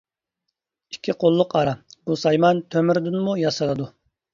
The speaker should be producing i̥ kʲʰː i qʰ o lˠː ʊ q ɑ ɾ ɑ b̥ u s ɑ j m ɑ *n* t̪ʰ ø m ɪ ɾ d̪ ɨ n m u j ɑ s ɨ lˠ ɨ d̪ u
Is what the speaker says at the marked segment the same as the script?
yes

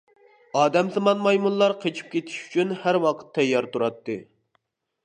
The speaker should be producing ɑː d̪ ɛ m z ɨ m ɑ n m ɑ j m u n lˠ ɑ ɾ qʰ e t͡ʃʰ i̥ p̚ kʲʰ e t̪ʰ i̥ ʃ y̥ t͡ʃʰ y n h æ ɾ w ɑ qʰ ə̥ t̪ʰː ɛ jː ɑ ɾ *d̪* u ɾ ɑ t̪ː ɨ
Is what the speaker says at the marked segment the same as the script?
no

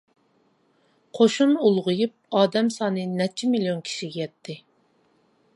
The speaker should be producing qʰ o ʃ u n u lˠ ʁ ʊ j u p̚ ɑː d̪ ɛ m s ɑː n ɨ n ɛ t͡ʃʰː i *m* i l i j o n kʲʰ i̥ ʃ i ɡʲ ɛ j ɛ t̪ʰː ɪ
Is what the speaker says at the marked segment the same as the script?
yes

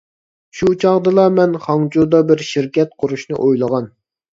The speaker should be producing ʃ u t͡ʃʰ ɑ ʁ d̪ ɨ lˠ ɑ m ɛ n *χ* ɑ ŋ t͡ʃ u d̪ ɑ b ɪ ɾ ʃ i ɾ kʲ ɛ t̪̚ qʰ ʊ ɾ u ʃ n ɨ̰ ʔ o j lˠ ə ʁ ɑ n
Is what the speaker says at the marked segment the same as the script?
yes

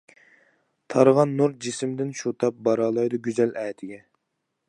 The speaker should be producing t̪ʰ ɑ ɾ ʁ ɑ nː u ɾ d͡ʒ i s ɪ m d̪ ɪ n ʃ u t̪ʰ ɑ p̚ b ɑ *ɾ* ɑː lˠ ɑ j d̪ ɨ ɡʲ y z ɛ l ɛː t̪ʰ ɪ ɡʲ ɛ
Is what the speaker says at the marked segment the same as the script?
yes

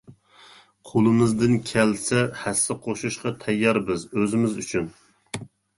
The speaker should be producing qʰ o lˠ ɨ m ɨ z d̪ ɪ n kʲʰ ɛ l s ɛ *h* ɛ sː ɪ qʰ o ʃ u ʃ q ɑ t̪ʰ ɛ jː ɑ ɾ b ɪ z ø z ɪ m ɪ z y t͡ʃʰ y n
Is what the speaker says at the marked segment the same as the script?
yes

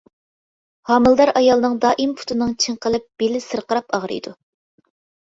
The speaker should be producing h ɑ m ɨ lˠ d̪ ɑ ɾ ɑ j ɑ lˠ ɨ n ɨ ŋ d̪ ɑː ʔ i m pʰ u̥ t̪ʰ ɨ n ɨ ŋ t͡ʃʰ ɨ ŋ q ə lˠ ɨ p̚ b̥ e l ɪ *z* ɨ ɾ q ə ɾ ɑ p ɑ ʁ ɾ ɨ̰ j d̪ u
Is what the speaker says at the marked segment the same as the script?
no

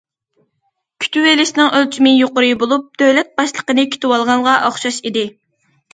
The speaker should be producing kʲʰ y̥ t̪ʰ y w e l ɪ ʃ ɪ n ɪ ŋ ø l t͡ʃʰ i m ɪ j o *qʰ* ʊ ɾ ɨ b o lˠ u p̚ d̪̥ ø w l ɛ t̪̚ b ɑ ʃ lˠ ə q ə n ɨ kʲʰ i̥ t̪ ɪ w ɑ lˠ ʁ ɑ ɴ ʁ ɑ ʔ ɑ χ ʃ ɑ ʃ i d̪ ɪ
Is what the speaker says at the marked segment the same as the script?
no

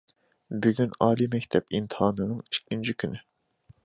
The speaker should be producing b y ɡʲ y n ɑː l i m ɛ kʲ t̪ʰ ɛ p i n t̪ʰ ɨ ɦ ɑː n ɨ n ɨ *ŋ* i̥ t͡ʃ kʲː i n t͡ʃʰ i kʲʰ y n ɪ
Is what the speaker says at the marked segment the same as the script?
yes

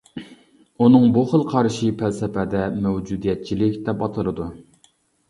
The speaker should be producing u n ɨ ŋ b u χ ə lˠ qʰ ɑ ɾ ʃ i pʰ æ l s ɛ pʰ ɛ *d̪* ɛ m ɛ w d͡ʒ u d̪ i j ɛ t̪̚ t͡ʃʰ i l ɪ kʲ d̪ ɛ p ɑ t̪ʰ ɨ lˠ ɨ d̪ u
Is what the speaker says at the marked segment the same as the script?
yes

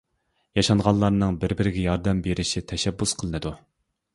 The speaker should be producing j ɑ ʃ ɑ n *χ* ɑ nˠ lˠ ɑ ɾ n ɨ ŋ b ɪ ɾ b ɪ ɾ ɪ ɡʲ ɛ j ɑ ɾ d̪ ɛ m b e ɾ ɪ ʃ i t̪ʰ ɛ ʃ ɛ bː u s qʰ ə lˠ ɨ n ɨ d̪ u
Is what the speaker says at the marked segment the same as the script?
no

